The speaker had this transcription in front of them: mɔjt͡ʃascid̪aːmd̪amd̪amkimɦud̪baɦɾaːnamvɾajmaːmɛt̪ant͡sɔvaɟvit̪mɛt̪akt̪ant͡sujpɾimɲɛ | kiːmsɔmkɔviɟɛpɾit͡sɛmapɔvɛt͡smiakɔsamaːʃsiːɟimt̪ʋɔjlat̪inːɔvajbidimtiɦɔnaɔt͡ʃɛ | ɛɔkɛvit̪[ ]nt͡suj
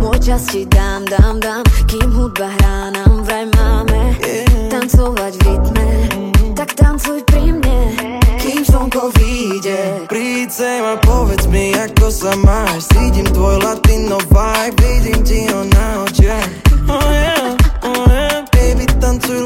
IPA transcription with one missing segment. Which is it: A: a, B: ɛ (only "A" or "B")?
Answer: A